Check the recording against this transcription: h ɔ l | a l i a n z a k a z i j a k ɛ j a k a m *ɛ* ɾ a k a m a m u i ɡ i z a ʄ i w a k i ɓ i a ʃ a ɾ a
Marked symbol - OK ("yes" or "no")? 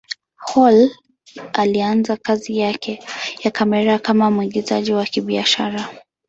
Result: yes